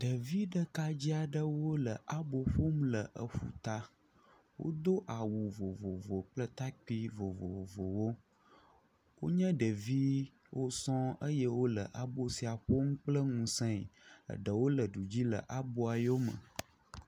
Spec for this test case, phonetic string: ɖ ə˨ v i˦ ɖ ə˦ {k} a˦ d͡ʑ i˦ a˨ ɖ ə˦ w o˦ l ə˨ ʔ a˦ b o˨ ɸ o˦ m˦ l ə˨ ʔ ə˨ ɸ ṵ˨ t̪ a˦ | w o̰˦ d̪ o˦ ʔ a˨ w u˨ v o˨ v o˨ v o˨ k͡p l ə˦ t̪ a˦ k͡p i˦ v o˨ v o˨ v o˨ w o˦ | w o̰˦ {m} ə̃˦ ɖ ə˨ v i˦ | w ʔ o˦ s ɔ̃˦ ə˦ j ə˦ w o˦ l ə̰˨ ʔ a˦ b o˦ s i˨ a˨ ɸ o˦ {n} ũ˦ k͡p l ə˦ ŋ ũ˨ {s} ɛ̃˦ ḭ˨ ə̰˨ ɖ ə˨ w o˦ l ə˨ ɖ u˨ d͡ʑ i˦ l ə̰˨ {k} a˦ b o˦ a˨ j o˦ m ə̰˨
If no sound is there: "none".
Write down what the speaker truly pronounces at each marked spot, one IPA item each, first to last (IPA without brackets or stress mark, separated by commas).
k, ɲ, ŋ, s, ʔ